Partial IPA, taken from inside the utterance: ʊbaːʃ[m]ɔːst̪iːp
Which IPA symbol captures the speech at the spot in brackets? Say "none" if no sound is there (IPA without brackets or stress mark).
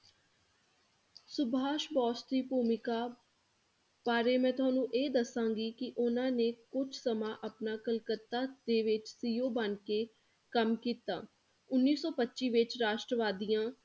b